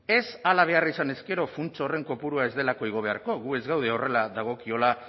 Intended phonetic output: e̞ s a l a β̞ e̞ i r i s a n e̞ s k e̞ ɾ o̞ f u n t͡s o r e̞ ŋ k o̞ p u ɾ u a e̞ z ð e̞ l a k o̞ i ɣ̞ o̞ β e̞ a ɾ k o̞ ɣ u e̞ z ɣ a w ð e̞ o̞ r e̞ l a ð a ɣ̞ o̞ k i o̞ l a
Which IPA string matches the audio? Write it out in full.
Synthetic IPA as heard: e̞ s a l a β̞ e̞ a r i s a n e̞ s k e̞ ɾ o̞ f u n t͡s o r e̞ ŋ k o̞ p u ɾ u a e̞ z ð e̞ l a k o̞ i ɣ̞ o̞ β e̞ a ɾ k o̞ ɣ u e̞ z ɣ a w ð e̞ o̞ r e̞ l a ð a ɣ̞ o̞ k i o̞ l a